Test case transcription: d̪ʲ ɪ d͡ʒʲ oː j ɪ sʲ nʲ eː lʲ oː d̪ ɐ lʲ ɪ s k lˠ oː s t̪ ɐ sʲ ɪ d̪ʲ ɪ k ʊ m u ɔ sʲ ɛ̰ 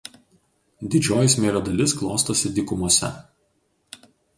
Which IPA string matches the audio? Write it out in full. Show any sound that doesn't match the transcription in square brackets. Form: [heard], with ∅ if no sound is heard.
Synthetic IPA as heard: d̪ʲ ɪ d͡ʒʲ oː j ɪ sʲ [mʲ] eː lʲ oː d̪ ɐ lʲ ɪ s k lˠ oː s t̪ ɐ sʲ ɪ d̪ʲ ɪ k ʊ m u ɔ sʲ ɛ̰

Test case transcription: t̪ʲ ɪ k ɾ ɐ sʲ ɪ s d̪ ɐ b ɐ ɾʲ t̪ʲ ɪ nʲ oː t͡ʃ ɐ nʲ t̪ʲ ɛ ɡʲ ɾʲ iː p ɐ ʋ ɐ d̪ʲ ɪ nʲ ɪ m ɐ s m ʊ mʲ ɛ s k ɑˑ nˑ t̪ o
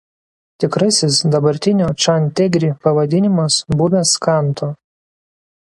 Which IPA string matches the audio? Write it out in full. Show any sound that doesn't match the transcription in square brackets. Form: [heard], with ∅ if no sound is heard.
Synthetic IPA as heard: t̪ʲ ɪ k ɾ ɐ sʲ ɪ s d̪ ɐ b ɐ ɾʲ t̪ʲ ɪ nʲ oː t͡ʃ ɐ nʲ t̪ʲ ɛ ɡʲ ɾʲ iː p ɐ ʋ ɐ d̪ʲ ɪ nʲ ɪ m ɐ s [b] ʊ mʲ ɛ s k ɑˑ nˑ t̪ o

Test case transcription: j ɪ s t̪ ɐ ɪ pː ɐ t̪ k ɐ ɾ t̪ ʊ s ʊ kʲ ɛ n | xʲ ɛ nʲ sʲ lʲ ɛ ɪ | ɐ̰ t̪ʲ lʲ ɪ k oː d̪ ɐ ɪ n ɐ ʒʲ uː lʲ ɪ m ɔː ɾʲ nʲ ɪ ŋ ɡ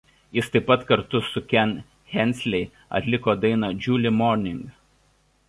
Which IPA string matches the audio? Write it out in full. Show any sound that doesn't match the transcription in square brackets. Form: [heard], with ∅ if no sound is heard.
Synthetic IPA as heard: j ɪ s t̪ ɐ ɪ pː ɐ t̪ k ɐ ɾ t̪ ʊ s ʊ kʲ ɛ n | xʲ ɛ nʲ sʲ lʲ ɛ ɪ | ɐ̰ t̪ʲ lʲ ɪ k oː d̪ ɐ ɪ n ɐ [d͡ʒʲ] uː lʲ ɪ m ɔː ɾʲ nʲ ɪ ŋ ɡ

